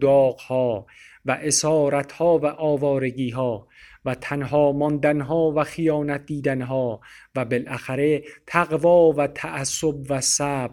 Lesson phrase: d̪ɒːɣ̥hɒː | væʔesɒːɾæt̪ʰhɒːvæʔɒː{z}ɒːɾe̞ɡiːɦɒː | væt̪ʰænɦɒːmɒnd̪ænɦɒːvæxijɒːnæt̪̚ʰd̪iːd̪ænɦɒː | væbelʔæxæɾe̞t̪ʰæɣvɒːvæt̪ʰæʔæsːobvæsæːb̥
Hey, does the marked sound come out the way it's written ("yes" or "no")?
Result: no